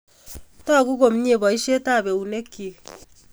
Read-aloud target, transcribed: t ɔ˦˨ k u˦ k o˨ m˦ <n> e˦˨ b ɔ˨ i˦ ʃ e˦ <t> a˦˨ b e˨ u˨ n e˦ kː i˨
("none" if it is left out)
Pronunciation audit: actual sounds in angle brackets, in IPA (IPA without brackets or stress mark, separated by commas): ɲ, t